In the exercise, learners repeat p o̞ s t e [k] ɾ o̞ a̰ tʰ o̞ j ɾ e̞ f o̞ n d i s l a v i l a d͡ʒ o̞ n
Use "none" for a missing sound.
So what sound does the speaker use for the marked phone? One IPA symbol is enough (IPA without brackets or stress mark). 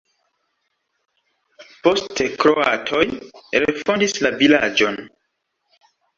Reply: k